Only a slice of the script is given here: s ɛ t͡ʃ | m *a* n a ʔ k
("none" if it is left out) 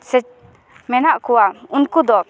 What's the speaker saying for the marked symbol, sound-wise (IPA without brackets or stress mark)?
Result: ɛ